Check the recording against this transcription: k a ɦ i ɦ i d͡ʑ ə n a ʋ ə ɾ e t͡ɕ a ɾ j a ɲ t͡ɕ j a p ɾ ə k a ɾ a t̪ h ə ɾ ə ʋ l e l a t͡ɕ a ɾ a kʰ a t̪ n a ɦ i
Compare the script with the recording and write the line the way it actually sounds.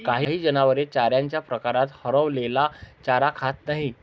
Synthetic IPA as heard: k a ɦ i ɦ iː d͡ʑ ə n a ʋ ə ɾ e t͡ɕ a ɾ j a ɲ t͡ɕ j a p ɾ ə k a ɾ a t̪ h ə ɾ ə ʋ l e l a t͡ɕ a ɾ a kʰ a t̪ n a ɦ i

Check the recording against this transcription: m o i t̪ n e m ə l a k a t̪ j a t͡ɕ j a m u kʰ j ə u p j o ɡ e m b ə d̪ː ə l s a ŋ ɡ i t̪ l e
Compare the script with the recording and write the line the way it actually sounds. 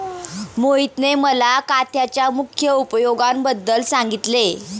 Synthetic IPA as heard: m o i t̪ n e m ə l a k a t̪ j a t͡ɕ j a m u kʰ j ə u p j o ɡ a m b ə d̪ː ə l s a ŋ ɡ i t̪ l e

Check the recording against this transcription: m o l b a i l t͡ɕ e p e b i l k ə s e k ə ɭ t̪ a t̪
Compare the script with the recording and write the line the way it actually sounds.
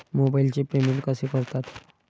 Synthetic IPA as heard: m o b a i l t͡ɕ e p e m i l k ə s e k ə ɾ t̪ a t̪

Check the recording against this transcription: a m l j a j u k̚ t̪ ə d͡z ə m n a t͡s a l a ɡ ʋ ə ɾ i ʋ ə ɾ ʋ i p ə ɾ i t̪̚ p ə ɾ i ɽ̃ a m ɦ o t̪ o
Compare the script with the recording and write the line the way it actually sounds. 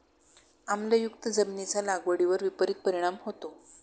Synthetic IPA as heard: a m l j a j u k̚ t̪ ə d͡z ə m n i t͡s a l a ɡ ʋ ə ɽ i ʋ ə ɾ ʋ i p ə ɾ i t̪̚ p ə ɾ i ɽ̃ a m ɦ o t̪ o

